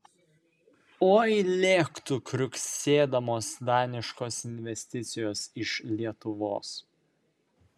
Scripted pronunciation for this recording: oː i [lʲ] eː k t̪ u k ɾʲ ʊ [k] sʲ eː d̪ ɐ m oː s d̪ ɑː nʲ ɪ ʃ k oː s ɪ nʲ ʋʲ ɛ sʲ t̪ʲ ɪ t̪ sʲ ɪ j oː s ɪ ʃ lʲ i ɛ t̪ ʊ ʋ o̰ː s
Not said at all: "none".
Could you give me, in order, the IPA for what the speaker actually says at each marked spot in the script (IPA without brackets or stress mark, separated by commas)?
lʲ, k